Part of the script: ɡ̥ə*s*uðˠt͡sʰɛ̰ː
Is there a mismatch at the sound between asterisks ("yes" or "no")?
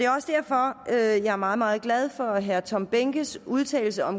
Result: no